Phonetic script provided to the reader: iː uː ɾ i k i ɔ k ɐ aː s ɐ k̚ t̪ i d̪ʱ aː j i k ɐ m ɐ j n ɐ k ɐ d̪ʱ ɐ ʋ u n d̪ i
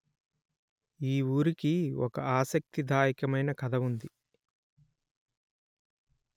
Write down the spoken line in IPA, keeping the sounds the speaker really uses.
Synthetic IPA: iː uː ɾ i k i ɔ k ɐ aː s ɐ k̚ t̪ i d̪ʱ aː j i k ɐ m ɐ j n ɐ k ɐ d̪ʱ ɐ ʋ u n d̪ i

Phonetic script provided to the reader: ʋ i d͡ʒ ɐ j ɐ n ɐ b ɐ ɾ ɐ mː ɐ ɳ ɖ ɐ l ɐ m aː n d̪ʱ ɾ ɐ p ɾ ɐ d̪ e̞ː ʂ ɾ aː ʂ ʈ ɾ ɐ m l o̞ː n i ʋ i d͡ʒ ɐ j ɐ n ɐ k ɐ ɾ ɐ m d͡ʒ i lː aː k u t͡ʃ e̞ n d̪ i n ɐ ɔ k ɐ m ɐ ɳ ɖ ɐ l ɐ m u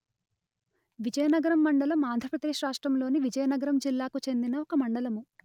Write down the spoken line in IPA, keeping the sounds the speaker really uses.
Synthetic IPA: ʋ i d͡ʒ ɐ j ɐ n ɐ ɡ ɐ ɾ ɐ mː ɐ ɳ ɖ ɐ l ɐ m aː n d̪ʱ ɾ ɐ p ɾ ɐ d̪ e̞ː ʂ ɾ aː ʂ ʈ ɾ ɐ m l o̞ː n i ʋ i d͡ʒ ɐ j ɐ n ɐ ɡ ɐ ɾ ɐ m d͡ʒ i lː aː k u t͡ʃ e̞ n d̪ i n ɐ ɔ k ɐ m ɐ ɳ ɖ ɐ l ɐ m u

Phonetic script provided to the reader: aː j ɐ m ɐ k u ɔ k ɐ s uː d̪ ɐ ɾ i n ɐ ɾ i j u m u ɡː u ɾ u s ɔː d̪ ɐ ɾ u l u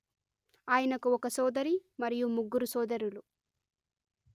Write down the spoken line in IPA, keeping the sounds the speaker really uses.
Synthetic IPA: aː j ɐ n ɐ k u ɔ k ɐ s ɔː d̪ ɐ ɾ i m ɐ ɾ i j u m u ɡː u ɾ u s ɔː d̪ ɐ ɾ u l u

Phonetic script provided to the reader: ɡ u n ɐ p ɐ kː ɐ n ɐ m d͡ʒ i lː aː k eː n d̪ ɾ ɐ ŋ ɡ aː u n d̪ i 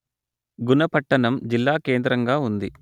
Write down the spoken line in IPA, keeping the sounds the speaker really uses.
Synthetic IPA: ɡ u n ɐ p ɐ ʈː ɐ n ɐ m d͡ʒ i lː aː k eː n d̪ ɾ ɐ ŋ ɡ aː u n d̪ i

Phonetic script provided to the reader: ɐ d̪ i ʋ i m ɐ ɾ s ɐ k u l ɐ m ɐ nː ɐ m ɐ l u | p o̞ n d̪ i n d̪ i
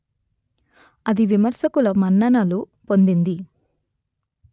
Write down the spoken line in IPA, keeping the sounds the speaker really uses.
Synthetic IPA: ɐ d̪ i ʋ i m ɐ ɾ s ɐ k u l ɐ m ɐ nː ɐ n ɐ l u | p o̞ n d̪ i n d̪ i

